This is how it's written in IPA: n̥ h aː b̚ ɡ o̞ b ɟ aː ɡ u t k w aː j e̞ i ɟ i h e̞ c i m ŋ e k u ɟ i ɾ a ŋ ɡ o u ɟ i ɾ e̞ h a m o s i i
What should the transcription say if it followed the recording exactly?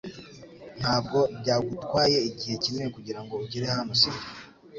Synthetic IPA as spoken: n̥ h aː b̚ ɡ o̞ b ɟ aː ɡ u t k w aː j e̞ i ɟ i h e̞ c i m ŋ e k u ɟ i ɾ a ŋ ɡ o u ɟ i ɾ e̞ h a n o s i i

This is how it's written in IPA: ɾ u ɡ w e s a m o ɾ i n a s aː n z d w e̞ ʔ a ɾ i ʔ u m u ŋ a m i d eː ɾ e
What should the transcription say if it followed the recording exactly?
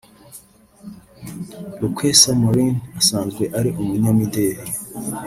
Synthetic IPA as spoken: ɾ u k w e s a m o ɾ i n a s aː n z ɡ w e̞ ʔ a ɾ i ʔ u m u ɲ a m i d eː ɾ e

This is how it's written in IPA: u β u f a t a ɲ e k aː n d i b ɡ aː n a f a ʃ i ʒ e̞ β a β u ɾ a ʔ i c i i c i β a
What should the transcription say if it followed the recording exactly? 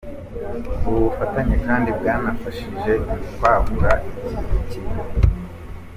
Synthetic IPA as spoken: u β u f a t a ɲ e k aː n d i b ɡ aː n a f a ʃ i ʒ e̞ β a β u ɾ a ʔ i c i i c i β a

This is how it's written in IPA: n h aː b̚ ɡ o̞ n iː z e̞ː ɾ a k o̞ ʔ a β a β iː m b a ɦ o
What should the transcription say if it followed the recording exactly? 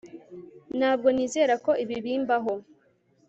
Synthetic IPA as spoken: n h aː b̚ ɡ o̞ n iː z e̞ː ɾ a k o̞ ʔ i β i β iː m b a ɦ o

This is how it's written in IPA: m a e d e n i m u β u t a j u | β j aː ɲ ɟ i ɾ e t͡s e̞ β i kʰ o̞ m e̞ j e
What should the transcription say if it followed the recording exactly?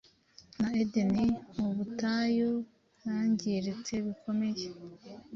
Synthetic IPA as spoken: n a e d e n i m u β u t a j o | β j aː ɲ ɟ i ɾ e t͡s e̞ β i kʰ o̞ m e̞ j e

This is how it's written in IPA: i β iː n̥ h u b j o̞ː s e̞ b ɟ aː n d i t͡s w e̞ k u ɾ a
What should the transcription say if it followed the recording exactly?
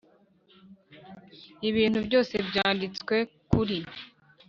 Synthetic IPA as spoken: i β iː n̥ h u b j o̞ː s e̞ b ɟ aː n d i t͡s w e̞ k u ɾ i

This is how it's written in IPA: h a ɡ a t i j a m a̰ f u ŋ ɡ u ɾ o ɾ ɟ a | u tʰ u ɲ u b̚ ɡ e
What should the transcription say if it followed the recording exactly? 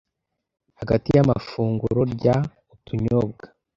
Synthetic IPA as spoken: h a ɡ a t i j a m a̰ f uː ŋ ɡ u ɾ o ɾ ɟ a | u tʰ u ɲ o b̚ ɡ a

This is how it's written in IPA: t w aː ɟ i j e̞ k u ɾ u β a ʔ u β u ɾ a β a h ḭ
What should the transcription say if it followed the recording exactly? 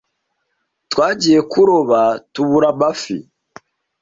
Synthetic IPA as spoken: t w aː ɟ i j e̞ k u ɾ o β a t u β u ɾ a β a f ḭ

